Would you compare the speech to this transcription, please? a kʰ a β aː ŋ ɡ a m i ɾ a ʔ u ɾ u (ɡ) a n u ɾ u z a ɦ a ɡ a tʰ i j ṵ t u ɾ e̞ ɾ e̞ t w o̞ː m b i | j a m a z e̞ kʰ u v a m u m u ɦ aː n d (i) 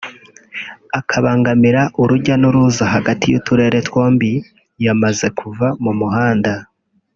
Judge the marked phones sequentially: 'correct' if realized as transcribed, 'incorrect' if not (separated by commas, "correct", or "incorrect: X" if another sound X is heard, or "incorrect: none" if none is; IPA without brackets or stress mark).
incorrect: ɟ, incorrect: a